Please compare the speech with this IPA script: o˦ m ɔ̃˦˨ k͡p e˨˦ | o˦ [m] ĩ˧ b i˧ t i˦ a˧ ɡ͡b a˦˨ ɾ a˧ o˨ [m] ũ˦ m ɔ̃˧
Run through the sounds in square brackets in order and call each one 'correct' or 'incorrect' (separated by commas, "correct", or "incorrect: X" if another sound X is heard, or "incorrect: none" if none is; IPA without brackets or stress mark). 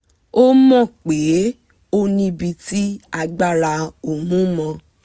incorrect: n, correct